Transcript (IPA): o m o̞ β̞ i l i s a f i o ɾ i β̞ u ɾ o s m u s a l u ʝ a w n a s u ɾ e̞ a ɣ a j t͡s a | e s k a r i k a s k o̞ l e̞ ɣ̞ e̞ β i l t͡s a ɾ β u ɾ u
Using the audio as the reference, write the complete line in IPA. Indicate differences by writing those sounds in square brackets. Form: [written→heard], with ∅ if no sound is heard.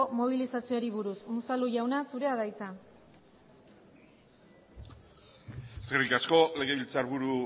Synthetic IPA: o m o̞ β̞ i l i s a [f→s] i o ɾ i β̞ u ɾ [o→u] s m u s a l u ʝ a w n a s u ɾ e̞ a [ɣ→ð] a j t͡s a | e s k [a→e] r i k a s k o̞ l e̞ ɣ̞ e̞ β i l t͡s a ɾ β u ɾ u